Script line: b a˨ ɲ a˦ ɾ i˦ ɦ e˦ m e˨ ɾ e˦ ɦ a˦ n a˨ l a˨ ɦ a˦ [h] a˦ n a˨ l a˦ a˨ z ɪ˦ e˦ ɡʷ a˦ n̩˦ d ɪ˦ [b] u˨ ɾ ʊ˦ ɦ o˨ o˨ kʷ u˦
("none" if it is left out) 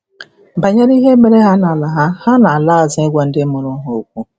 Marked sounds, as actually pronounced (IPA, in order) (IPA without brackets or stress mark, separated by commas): h, m